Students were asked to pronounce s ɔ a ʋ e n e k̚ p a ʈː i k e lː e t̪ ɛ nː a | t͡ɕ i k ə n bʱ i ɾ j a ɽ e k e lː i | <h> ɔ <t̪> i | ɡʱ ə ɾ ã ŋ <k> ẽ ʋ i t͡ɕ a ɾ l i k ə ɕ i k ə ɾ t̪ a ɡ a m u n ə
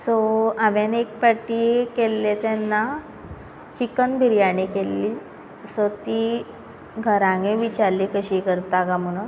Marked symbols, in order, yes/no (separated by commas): no, yes, no